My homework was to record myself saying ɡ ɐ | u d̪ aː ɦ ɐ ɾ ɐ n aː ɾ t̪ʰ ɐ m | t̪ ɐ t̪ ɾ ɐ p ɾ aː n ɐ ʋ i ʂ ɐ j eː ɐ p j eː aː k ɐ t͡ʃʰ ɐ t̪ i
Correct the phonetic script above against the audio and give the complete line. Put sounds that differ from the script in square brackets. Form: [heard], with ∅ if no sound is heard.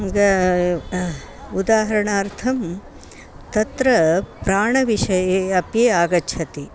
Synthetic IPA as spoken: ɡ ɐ | u d̪ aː ɦ ɐ ɾ ɐ [ɳ] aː ɾ t̪ʰ ɐ m | t̪ ɐ t̪ ɾ ɐ p ɾ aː [ɳ] ɐ ʋ i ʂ ɐ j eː ɐ p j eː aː [ɡ] ɐ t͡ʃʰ ɐ t̪ i